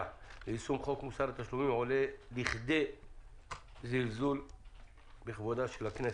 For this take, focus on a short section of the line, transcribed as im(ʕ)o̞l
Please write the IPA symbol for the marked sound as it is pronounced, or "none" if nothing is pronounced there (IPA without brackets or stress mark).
ʕ